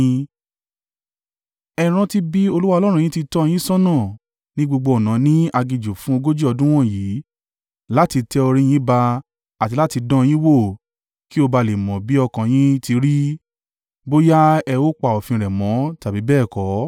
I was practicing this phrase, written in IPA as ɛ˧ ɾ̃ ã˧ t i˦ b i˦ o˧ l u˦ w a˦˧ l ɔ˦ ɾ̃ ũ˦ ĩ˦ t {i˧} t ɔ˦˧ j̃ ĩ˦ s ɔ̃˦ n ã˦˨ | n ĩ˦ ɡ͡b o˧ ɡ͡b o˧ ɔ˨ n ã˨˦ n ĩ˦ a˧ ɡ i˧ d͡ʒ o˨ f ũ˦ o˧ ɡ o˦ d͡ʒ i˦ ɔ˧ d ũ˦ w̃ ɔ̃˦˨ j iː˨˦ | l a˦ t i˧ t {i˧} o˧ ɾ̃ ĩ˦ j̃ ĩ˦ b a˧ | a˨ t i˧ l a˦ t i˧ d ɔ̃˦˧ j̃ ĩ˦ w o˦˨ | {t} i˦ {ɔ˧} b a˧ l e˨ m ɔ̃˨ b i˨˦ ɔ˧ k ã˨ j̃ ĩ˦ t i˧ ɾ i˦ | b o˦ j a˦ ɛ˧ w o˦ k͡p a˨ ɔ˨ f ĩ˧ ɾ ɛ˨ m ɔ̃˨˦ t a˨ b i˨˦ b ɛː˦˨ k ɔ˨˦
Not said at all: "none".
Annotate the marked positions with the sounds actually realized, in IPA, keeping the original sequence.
i˧, ɛ˧, k, o˧

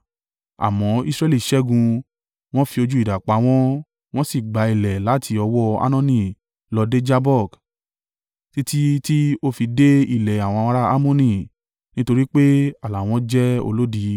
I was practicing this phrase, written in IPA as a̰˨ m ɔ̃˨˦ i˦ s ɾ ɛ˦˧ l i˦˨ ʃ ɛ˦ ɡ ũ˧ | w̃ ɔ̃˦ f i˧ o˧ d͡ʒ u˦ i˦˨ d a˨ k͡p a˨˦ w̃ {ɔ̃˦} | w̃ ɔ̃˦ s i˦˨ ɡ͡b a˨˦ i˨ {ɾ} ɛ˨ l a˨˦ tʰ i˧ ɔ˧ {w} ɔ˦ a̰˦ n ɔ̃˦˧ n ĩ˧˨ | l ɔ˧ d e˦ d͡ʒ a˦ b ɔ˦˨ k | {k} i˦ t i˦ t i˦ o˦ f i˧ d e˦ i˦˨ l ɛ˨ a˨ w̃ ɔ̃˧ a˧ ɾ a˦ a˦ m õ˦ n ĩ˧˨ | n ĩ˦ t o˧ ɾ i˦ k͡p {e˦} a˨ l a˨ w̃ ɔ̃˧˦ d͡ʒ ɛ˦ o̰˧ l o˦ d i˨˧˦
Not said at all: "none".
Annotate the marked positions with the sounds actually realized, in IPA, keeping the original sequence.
ɔ̃˦, l, w, t, e˦

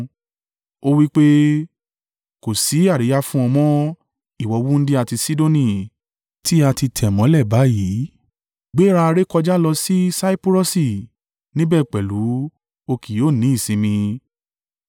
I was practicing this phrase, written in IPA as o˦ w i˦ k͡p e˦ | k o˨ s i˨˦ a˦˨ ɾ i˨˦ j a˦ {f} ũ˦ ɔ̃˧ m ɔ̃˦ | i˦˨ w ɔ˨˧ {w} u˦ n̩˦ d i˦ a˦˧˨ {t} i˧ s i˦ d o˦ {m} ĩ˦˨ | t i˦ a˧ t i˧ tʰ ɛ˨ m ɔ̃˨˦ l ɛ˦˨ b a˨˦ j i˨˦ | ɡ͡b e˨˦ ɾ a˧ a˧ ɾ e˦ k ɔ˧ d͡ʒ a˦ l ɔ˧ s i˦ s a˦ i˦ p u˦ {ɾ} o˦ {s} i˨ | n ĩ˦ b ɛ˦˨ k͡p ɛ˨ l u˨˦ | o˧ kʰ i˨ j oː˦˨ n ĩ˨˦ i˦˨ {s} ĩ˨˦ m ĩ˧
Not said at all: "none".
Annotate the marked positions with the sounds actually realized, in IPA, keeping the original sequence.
f, w, t, n, ɾ, s, s

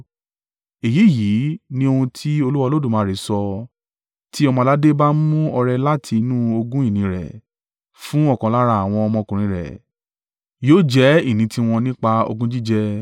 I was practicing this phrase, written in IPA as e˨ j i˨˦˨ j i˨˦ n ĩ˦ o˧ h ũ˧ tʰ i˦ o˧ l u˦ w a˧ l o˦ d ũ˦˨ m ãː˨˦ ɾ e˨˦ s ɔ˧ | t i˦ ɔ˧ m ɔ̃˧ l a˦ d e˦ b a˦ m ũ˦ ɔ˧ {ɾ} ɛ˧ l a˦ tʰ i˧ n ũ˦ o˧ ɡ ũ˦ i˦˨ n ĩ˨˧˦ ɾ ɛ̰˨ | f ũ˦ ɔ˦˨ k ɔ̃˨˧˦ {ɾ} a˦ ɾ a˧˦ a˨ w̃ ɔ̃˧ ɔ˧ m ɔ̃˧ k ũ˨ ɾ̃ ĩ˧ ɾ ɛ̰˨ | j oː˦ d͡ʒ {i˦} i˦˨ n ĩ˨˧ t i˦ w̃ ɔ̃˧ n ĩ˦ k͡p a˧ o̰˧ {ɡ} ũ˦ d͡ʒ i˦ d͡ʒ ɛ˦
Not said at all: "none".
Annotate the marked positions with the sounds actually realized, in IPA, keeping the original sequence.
ɾ, l, ɛ˦, ɡ

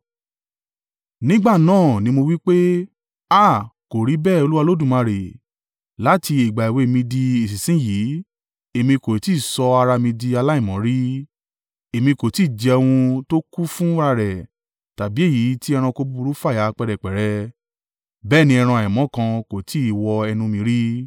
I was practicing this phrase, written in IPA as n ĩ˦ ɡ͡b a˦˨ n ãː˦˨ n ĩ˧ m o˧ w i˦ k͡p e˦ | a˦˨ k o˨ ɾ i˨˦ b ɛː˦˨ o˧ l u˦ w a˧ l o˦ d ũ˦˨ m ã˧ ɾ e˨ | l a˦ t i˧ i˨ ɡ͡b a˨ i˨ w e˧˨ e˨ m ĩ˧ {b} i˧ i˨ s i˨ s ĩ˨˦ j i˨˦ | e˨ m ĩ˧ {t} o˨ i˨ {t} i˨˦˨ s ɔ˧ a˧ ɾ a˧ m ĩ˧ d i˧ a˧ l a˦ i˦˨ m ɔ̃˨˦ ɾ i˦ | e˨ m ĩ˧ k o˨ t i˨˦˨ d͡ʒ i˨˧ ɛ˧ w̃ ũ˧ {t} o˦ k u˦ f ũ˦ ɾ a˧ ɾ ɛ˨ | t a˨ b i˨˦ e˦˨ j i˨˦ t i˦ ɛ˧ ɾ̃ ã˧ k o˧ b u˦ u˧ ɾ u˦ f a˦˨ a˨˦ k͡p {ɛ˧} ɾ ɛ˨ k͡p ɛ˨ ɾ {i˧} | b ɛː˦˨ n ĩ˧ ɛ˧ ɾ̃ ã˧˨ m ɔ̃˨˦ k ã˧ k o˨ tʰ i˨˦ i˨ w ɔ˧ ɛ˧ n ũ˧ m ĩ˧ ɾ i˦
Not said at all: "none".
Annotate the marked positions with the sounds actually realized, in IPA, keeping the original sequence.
d, k, t, t, ɛ˧, ɛ˧

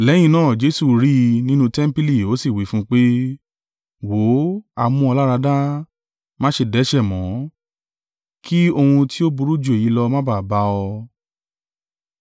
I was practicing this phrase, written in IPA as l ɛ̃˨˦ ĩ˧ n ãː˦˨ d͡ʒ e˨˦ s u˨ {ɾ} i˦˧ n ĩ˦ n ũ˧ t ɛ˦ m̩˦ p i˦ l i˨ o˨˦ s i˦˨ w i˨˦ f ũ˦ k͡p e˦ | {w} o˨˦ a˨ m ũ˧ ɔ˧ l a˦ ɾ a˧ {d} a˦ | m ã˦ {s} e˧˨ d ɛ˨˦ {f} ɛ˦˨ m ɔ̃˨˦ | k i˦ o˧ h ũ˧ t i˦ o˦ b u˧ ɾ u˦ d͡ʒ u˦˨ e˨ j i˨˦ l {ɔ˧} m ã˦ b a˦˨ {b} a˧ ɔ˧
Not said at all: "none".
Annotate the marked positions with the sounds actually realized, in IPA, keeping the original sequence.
ɾ, w, d, ʃ, ʃ, ɔ˧, b

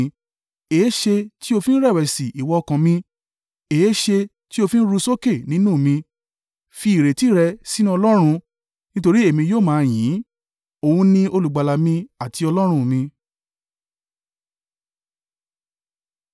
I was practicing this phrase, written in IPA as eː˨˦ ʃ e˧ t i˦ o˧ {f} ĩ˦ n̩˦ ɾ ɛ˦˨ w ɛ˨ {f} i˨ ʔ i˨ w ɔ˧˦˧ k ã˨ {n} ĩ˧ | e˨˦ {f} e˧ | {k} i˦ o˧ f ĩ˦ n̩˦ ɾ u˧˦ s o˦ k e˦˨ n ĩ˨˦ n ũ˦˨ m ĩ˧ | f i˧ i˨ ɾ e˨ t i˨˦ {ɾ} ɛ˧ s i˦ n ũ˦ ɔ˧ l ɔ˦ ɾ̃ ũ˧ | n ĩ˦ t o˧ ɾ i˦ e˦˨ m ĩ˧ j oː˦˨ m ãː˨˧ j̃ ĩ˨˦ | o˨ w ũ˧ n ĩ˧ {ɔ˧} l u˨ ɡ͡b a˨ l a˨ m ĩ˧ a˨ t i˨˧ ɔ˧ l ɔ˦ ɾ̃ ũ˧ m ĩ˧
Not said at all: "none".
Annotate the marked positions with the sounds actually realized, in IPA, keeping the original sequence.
f, s, m, ʃ, t, ɾ, o˧

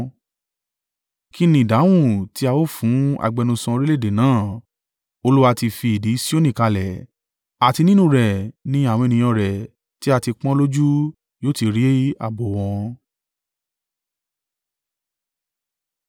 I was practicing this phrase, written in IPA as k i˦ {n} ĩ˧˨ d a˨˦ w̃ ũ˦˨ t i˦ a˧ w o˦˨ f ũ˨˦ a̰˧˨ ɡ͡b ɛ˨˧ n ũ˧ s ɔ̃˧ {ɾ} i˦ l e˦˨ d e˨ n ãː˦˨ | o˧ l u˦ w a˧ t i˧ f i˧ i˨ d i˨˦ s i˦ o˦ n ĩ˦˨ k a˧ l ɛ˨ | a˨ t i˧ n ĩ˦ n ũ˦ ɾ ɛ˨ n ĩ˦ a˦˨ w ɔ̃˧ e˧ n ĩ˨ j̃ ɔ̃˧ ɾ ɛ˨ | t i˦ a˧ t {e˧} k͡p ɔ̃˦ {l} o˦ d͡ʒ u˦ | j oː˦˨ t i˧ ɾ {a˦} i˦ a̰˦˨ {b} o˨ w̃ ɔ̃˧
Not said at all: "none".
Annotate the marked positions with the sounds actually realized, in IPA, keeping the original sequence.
n, ɾ, i˧, l, i˦, b

